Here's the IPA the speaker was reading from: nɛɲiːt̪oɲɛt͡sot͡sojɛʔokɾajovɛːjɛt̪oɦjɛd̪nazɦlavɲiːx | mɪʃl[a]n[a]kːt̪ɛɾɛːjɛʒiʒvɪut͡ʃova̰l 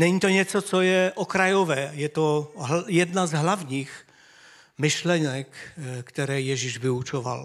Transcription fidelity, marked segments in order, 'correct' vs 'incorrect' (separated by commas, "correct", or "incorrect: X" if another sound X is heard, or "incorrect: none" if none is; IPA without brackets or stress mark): incorrect: ɛ, incorrect: ɛ